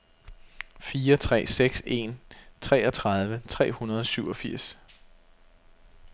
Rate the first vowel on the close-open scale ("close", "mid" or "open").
close